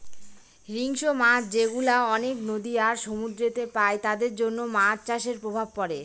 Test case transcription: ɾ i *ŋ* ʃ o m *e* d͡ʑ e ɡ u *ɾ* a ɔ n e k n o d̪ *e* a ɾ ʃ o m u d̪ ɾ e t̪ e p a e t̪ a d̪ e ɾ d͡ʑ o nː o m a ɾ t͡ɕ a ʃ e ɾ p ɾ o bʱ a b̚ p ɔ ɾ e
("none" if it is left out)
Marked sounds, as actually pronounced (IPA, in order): ŋ, a, l, i

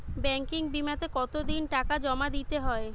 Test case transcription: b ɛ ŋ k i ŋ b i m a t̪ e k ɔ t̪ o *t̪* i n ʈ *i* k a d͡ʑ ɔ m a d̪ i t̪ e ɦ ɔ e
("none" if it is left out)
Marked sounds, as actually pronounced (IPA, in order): d̪, a

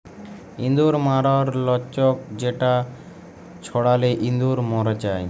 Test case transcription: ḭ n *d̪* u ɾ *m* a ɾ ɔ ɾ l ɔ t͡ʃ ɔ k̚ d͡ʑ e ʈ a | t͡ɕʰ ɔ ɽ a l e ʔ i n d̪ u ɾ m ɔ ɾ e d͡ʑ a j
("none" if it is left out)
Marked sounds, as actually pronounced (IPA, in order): d̪, m

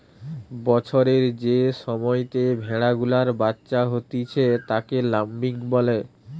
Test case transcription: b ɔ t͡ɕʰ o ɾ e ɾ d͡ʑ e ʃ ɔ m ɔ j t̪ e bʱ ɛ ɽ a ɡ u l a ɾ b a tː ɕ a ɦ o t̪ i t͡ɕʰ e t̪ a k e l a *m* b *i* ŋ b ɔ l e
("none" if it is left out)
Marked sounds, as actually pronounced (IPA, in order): m, i

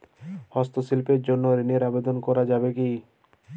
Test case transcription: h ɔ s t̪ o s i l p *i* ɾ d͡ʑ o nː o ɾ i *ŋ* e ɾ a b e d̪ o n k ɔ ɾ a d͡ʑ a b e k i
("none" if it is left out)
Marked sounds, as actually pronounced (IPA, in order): e, n

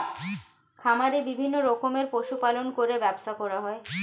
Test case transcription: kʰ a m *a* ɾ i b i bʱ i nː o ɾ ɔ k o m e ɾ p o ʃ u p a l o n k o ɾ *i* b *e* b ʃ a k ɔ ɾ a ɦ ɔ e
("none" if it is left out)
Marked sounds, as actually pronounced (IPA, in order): a, e, ɛ

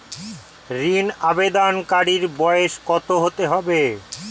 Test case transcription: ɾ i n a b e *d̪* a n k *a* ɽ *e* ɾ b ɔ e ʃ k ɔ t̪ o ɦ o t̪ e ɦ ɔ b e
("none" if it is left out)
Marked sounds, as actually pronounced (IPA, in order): d̪, a, i

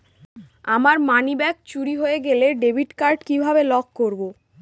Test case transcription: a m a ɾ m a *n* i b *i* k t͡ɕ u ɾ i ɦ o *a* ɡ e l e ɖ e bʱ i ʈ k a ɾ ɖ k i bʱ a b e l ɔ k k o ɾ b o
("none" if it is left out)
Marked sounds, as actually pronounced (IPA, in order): n, ɛ, e

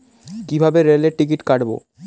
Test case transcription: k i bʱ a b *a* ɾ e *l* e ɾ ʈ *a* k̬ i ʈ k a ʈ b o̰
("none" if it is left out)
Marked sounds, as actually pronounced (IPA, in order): e, l, i

